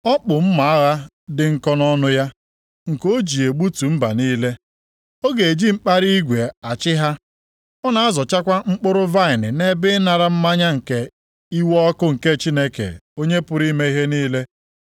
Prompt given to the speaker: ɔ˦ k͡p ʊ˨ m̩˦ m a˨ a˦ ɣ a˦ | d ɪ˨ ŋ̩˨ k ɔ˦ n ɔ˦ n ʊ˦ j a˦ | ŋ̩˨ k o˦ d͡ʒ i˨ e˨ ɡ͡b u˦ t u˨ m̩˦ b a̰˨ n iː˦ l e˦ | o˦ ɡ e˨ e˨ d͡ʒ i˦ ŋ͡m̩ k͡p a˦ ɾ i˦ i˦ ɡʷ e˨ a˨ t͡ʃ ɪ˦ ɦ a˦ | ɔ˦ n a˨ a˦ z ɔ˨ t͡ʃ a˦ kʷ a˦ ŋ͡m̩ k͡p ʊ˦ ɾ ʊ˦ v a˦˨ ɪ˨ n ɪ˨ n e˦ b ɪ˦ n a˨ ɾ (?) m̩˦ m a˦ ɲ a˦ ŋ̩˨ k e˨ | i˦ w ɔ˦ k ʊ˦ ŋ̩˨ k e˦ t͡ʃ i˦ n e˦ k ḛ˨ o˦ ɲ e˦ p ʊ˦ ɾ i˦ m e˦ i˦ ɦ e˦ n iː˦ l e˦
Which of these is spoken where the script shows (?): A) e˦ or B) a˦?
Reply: B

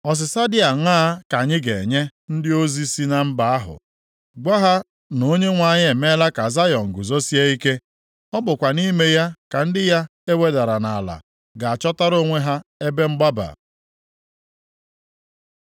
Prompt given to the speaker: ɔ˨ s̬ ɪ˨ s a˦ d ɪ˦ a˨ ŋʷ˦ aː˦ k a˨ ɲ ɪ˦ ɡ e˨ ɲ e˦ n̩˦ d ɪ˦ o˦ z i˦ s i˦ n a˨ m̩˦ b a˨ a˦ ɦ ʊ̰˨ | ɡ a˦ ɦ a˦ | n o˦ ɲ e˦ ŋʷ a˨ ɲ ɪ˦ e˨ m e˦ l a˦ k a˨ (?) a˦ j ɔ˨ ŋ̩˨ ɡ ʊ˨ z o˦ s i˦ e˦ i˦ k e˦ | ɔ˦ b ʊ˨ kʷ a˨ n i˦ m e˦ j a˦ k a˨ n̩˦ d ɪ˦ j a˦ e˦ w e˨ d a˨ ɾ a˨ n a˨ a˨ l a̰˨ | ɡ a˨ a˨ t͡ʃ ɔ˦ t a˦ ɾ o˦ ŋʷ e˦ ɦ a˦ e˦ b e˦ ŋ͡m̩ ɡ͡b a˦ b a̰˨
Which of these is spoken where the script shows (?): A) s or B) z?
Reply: B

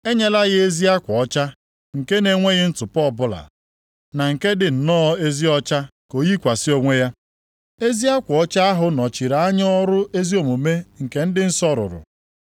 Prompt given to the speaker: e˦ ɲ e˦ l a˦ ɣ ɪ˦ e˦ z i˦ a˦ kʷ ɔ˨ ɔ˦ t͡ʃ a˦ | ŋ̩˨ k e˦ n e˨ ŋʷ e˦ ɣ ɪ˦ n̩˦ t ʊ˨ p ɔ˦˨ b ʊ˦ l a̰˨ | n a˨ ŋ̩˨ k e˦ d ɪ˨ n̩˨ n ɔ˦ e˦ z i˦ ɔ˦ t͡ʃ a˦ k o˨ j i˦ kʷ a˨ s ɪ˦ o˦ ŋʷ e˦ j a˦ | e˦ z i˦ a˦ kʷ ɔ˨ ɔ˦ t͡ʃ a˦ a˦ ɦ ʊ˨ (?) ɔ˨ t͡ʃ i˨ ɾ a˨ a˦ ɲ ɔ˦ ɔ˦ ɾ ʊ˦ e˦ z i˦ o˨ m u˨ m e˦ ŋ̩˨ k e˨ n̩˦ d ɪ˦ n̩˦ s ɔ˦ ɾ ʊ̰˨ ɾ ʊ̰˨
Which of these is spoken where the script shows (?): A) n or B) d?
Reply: A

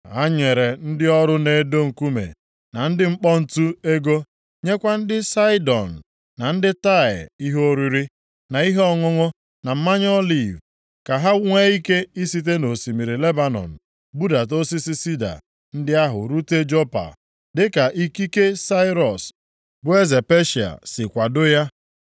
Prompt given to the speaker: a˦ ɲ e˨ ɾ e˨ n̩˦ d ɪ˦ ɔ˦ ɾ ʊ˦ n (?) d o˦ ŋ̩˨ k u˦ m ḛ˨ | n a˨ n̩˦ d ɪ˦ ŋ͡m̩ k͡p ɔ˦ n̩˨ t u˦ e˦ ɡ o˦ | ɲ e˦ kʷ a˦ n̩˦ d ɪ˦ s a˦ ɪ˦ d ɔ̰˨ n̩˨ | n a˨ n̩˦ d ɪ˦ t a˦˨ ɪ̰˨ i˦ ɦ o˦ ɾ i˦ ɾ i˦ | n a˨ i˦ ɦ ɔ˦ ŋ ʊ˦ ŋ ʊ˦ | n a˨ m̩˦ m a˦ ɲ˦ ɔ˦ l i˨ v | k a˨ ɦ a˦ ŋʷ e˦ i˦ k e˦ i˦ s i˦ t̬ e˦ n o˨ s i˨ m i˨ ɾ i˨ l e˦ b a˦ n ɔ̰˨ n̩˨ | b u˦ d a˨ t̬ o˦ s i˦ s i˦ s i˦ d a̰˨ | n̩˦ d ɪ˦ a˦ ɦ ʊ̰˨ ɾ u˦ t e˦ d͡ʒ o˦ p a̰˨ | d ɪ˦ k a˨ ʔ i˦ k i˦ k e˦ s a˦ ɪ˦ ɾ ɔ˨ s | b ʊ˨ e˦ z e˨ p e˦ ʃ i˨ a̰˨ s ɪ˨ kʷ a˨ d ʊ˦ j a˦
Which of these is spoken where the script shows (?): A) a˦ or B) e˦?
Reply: B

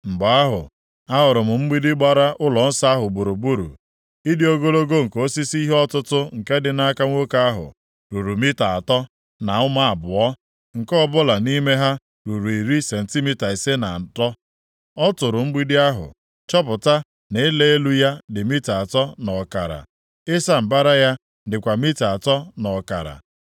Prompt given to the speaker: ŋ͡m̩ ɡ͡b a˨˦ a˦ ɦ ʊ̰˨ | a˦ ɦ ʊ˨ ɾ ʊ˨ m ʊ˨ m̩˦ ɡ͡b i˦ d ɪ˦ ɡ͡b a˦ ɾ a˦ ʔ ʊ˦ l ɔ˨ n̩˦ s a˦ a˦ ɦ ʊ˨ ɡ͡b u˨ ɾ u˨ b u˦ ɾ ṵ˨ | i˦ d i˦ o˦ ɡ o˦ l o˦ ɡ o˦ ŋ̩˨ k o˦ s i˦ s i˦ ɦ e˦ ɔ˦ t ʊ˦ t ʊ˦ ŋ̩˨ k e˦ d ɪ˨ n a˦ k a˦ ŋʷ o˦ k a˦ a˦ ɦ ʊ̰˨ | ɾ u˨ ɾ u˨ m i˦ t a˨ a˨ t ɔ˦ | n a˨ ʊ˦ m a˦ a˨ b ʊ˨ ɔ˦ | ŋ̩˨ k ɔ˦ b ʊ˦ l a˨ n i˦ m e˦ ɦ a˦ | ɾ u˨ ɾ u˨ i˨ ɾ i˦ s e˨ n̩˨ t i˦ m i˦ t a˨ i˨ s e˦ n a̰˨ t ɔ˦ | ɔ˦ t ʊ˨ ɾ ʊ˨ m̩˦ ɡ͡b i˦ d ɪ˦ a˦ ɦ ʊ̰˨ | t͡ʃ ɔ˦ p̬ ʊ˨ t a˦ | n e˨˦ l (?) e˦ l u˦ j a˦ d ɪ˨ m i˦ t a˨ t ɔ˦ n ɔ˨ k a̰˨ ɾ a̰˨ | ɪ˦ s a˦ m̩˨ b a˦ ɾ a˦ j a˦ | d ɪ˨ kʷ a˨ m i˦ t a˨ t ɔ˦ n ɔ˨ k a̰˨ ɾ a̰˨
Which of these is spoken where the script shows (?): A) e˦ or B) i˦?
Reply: A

